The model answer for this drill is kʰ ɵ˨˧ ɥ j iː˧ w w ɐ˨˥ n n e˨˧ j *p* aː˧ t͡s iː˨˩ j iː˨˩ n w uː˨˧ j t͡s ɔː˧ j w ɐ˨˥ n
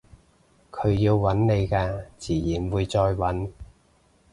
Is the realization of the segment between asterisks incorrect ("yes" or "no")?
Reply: yes